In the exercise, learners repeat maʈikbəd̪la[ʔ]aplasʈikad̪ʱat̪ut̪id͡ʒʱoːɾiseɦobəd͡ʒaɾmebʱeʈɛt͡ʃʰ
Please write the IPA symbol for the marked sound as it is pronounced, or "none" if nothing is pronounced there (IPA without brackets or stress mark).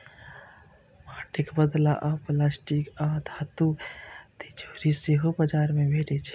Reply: ʔ